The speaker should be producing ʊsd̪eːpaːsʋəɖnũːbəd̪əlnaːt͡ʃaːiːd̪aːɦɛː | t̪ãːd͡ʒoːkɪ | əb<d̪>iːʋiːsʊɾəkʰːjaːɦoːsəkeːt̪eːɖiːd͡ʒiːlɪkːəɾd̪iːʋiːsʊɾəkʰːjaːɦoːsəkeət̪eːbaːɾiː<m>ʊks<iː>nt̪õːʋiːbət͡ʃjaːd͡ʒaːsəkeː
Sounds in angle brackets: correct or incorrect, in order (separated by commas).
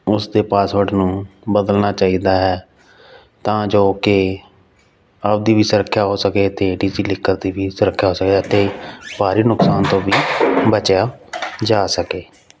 correct, incorrect, incorrect